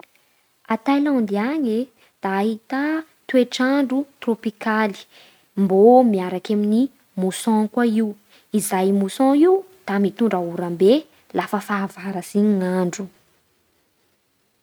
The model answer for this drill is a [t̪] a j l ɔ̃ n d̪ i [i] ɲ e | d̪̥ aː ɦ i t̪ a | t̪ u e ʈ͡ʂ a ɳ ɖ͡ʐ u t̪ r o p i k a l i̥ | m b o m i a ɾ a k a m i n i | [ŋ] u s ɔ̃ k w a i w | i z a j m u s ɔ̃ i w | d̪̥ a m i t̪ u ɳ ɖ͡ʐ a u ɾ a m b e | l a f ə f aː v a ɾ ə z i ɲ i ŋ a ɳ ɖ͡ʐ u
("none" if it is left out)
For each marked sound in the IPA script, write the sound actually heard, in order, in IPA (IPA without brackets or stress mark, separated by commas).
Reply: t̪, a, m